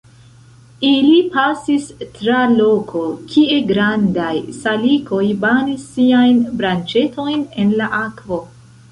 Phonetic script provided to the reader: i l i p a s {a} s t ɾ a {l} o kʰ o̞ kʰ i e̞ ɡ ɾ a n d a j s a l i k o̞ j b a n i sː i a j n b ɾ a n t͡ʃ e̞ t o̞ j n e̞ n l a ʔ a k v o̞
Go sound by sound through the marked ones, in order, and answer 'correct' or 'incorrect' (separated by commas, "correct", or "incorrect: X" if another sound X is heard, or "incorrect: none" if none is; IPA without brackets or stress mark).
incorrect: i, correct